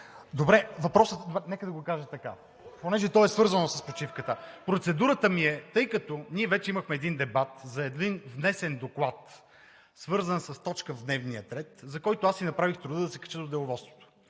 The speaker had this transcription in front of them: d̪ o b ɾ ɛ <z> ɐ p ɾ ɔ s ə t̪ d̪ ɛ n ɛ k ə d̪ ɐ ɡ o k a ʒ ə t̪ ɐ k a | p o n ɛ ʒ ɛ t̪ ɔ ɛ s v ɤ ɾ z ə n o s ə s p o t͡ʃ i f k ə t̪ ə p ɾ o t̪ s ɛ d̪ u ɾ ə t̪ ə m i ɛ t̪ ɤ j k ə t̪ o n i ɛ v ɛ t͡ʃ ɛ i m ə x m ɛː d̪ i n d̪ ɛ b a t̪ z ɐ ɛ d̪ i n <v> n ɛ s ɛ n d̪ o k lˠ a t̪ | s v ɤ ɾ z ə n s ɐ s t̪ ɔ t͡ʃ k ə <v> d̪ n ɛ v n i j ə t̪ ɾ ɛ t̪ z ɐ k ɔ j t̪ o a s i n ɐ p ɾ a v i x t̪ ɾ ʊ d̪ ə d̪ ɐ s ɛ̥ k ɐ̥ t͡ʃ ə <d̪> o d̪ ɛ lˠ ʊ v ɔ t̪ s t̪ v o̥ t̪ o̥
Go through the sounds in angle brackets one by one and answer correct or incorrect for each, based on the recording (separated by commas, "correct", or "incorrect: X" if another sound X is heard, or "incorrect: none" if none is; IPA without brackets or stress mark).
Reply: incorrect: v, correct, correct, correct